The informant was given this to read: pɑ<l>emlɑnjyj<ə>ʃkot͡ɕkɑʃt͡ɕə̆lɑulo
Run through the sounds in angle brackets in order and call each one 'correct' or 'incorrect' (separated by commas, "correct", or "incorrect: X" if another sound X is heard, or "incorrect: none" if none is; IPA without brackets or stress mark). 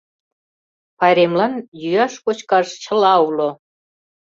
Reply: incorrect: ɾ, incorrect: ɑ